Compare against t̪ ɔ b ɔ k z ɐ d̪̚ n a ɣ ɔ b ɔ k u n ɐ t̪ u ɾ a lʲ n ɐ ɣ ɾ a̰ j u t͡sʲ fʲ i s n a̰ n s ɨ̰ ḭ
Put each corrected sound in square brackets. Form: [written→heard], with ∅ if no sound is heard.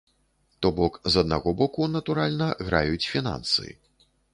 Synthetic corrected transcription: t̪ ɔ b ɔ k z ɐ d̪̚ n a ɣ ɔ b ɔ k u n ɐ t̪ u ɾ a lʲ n ɐ ɣ ɾ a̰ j u t͡sʲ fʲ i [s→∅] n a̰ n s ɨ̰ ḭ